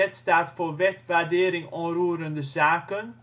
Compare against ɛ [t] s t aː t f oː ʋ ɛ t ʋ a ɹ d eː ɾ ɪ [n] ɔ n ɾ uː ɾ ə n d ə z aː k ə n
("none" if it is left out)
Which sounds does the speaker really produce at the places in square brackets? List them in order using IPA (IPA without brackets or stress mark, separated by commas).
t, ŋ